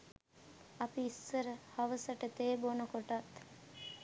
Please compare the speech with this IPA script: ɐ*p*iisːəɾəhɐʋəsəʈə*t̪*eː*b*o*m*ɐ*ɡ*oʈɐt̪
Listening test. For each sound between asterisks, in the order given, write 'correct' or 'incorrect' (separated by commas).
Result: correct, correct, correct, incorrect, incorrect